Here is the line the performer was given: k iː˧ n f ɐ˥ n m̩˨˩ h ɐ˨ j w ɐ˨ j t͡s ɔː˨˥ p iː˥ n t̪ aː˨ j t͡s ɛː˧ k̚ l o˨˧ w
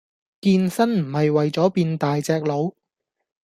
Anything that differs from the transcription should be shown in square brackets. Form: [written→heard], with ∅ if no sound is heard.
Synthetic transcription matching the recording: k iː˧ n [f→s] ɐ˥ n m̩˨˩ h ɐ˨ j w ɐ˨ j t͡s ɔː˨˥ p [iː˥→iː˧] n t̪ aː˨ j t͡s ɛː˧ k̚ l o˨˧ w